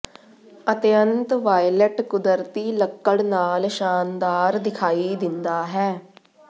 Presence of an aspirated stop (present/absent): present